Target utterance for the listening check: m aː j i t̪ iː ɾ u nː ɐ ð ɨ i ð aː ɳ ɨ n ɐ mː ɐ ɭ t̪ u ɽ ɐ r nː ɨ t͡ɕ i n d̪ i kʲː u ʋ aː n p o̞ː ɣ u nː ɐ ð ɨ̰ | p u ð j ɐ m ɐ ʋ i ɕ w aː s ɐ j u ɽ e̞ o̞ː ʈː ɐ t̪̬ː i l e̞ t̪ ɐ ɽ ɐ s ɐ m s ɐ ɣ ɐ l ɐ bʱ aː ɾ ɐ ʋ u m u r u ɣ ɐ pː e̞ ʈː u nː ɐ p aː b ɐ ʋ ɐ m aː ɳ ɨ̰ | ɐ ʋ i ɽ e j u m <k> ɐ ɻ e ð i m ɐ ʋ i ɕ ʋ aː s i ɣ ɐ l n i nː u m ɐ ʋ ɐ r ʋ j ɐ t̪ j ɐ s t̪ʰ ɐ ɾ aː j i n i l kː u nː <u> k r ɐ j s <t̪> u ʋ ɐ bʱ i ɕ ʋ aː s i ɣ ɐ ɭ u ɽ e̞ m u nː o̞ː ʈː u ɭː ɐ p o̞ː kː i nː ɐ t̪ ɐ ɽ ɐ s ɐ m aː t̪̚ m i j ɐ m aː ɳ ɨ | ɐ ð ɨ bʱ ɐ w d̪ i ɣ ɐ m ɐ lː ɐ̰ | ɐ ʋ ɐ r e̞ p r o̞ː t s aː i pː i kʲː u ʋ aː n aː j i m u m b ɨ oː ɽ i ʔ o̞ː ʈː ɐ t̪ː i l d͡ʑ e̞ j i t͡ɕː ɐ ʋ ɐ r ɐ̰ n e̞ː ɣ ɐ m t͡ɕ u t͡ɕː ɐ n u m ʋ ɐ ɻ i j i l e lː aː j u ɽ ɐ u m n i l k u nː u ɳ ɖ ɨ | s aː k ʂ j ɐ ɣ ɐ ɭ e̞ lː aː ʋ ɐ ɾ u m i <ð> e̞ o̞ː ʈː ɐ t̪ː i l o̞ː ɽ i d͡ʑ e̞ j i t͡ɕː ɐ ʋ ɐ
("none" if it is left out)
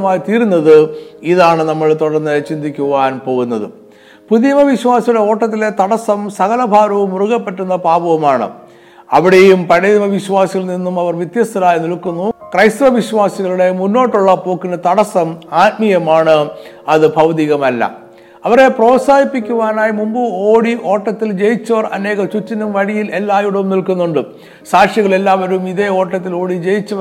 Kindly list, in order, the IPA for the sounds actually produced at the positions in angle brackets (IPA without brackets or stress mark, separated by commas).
p, u, t̪, ð